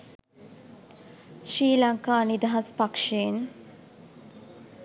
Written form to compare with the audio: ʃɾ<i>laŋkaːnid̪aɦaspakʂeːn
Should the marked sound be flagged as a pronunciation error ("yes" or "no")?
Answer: yes